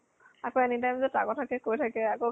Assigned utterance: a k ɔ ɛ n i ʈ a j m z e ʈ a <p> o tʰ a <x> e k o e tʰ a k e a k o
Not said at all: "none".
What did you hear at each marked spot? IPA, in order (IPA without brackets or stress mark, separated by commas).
k, k